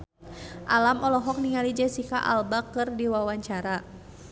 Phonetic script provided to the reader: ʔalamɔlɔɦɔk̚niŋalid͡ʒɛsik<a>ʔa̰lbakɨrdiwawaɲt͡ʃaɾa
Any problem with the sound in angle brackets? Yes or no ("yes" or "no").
no